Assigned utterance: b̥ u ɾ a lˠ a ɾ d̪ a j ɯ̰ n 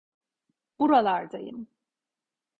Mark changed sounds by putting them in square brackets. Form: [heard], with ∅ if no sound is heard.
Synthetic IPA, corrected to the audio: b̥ u ɾ a lˠ a ɾ d̪ a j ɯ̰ [m]